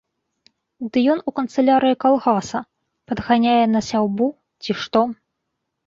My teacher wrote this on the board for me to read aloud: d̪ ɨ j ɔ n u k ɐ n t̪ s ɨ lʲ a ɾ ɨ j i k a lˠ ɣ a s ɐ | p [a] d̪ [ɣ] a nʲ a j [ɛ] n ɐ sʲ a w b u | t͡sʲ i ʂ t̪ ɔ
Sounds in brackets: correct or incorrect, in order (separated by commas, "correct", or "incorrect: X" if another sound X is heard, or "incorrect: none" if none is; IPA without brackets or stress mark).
incorrect: ɐ, correct, correct